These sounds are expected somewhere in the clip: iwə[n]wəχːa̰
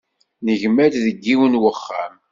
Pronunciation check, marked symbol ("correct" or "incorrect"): correct